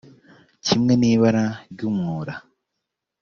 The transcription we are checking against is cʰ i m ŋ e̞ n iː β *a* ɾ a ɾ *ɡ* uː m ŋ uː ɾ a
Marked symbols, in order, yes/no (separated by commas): yes, no